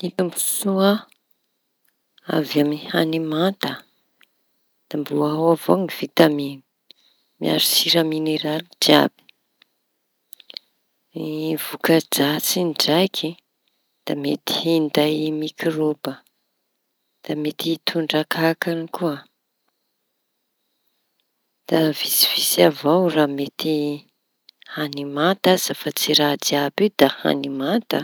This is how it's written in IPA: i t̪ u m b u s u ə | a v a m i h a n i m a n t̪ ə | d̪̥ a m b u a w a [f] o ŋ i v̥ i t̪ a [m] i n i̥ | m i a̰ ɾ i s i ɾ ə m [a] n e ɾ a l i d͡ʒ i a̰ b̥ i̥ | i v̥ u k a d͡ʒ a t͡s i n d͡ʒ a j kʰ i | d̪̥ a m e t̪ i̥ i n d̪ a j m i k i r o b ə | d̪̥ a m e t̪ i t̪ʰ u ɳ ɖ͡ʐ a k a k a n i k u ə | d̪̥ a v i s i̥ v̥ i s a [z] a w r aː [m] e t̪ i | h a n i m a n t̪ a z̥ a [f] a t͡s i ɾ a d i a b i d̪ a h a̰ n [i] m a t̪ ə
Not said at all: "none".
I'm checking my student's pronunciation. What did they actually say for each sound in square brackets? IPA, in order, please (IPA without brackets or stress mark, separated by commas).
v, m, i, v, m, f, i